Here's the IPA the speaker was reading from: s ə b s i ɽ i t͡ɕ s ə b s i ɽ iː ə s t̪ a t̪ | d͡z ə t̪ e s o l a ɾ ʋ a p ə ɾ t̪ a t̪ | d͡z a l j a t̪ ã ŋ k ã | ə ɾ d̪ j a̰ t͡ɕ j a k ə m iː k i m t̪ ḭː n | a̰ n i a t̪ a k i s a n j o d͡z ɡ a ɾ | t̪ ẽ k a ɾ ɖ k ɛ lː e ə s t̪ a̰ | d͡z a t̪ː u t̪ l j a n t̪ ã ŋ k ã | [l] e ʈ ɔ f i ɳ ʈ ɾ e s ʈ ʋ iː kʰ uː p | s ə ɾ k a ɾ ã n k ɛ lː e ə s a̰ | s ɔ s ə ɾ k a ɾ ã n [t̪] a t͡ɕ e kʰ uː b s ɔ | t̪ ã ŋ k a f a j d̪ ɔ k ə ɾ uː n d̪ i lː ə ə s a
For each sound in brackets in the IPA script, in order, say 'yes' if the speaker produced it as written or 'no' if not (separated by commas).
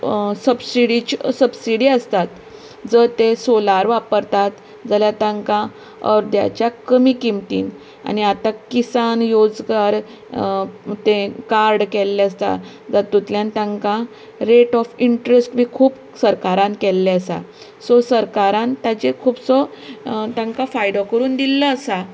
no, yes